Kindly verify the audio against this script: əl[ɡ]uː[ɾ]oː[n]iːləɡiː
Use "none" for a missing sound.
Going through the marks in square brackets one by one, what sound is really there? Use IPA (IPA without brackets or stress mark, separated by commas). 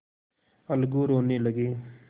ɡ, ɾ, n